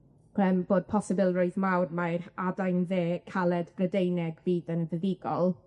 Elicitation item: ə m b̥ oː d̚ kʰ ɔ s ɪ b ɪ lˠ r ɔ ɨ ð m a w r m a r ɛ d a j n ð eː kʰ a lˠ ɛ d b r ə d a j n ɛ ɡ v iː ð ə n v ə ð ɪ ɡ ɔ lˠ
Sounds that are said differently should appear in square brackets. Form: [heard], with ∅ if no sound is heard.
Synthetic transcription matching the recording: ə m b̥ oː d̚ [pʰ] ɔ s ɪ b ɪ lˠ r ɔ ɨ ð m a w r m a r [a] d a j n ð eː kʰ a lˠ ɛ d b r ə d [e] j n ɛ ɡ v iː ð ə n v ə ð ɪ ɡ ɔ lˠ